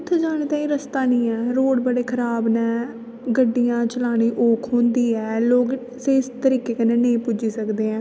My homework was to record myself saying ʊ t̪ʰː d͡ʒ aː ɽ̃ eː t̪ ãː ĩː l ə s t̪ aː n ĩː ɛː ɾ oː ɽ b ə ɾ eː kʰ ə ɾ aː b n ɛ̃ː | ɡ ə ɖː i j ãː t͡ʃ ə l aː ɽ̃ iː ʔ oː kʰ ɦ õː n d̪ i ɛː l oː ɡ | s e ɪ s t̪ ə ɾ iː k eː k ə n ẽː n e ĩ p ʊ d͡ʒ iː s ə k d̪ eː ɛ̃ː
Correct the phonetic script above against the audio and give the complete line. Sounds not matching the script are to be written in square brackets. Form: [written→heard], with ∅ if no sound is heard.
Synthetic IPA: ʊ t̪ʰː d͡ʒ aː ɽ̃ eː t̪ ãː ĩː [l→ɾ] ə s t̪ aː n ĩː ɛː ɾ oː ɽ b ə [ɾ→ɽ] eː kʰ ə ɾ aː b n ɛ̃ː | ɡ ə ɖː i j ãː t͡ʃ ə l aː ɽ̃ iː ʔ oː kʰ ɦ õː n d̪ [i→iː] ɛː l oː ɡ | s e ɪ s t̪ ə ɾ iː k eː k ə n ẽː n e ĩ p ʊ d͡ʒ iː s ə k d̪ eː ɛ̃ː